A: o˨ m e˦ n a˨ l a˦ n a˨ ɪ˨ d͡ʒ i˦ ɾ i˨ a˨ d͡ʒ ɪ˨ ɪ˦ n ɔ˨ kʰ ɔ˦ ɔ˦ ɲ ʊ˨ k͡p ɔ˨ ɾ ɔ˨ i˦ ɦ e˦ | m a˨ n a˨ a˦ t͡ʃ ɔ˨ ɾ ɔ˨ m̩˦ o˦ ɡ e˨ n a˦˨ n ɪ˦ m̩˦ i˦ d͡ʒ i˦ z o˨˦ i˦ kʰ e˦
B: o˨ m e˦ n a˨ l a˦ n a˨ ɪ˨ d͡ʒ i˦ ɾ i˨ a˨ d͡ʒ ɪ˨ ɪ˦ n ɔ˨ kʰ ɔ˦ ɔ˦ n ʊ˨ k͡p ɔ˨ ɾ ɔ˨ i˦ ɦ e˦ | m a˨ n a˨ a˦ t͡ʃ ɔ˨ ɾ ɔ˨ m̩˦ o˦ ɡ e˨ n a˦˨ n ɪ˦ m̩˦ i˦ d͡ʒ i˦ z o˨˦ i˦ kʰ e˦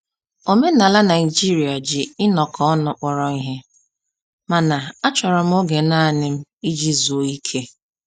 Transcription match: B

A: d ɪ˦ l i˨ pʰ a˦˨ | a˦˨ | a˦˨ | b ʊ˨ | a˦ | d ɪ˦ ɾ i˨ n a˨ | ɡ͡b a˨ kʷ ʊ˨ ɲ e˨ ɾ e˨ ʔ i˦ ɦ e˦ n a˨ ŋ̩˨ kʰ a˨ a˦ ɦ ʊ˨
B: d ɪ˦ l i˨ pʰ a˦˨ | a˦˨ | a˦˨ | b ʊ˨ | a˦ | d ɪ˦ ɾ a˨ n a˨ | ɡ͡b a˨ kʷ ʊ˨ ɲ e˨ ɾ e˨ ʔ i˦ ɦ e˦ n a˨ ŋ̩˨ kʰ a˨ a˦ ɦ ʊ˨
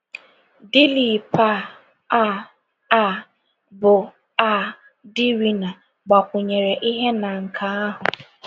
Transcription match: A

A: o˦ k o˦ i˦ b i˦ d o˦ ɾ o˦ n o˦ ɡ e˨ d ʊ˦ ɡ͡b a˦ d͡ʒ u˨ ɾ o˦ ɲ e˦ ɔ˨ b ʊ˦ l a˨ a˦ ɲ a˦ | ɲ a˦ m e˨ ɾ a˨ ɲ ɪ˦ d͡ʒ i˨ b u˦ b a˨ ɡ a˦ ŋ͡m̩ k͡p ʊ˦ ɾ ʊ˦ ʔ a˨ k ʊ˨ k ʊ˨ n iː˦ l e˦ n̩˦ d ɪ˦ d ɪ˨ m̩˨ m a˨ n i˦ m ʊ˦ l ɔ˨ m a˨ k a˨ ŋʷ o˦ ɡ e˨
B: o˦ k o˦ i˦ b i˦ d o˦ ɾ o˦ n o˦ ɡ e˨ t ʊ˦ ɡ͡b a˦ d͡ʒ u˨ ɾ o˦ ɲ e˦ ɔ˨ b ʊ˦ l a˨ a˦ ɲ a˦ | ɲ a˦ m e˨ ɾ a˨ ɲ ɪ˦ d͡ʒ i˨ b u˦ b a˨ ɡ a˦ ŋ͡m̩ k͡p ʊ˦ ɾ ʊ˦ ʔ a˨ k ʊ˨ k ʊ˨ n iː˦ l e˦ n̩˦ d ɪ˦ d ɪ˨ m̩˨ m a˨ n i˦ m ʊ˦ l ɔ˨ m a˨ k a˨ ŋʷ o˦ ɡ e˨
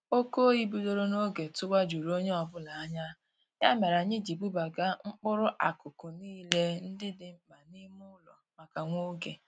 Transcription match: B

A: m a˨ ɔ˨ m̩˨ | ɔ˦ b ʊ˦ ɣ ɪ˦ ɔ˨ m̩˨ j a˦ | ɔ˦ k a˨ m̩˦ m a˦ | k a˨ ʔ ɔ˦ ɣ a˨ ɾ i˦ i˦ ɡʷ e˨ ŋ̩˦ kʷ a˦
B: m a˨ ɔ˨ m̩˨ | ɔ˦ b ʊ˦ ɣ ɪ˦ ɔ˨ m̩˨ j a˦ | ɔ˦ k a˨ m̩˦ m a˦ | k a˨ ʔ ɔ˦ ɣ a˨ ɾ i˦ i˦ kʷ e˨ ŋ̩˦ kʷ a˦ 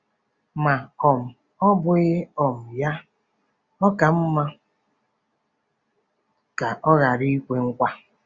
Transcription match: B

